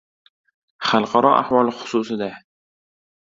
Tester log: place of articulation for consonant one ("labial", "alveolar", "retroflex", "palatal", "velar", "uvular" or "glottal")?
uvular